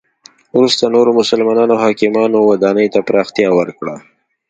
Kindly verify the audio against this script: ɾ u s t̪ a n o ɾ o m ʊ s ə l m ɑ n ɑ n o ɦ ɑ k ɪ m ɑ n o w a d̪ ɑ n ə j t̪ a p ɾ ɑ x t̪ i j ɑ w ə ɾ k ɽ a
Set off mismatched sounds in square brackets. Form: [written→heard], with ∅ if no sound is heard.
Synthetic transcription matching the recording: ɾ u s t̪ a n o ɾ o m ʊ s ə l m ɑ n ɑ n o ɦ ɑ k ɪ m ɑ n o w a d̪ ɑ n ə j t̪ a p ɾ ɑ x t̪ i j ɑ w ə ɾ k ɽ a